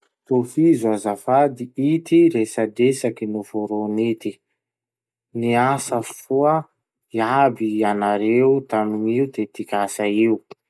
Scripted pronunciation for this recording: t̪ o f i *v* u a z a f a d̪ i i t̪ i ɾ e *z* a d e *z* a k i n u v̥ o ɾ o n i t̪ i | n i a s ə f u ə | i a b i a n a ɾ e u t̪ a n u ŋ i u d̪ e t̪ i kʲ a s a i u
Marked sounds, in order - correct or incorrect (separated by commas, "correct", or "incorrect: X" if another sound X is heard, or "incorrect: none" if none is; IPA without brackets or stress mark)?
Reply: incorrect: z, incorrect: s, incorrect: s